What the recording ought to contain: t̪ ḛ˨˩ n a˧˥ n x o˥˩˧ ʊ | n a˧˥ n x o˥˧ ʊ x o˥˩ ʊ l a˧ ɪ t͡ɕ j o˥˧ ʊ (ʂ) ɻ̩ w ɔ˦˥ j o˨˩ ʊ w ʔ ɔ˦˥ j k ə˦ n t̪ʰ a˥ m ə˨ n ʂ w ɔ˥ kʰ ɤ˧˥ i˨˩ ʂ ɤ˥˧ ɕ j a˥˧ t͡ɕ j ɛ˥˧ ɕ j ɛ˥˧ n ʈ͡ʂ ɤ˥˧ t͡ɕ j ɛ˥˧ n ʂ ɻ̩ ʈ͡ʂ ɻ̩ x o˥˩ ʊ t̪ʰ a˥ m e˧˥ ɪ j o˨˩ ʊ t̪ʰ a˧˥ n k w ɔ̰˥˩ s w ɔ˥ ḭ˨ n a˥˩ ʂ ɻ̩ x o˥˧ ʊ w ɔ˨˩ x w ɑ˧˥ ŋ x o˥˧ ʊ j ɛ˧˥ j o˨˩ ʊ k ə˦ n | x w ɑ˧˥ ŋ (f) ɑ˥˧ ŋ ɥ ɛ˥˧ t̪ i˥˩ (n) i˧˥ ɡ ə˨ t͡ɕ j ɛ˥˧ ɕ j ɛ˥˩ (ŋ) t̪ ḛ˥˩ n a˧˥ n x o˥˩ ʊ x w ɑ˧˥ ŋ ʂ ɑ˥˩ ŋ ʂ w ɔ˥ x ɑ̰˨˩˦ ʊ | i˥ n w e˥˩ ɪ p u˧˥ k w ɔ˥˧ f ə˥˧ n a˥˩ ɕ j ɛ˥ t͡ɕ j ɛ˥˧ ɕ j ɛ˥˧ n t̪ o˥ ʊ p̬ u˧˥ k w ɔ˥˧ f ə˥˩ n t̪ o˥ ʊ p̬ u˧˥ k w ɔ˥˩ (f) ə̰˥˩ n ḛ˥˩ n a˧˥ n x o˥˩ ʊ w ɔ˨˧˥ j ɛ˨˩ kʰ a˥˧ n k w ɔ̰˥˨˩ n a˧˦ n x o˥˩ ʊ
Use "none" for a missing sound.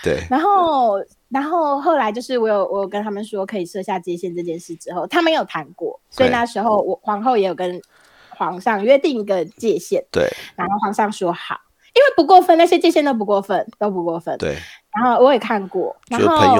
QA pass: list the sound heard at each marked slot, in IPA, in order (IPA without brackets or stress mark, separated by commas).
ʂ, ʂ, ŋ, n, f